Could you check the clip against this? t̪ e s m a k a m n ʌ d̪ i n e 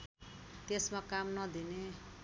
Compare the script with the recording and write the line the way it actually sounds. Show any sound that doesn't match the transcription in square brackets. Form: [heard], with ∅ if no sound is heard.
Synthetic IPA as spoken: t̪ e s m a k a m n ʌ d̪ i n e